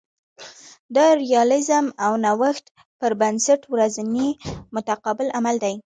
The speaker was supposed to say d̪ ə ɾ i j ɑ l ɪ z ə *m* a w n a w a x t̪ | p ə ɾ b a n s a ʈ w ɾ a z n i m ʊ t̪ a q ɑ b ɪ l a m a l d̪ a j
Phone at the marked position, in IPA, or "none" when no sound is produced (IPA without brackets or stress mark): m